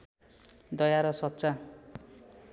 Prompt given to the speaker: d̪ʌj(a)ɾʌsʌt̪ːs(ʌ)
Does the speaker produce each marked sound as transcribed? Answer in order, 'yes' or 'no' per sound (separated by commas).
yes, no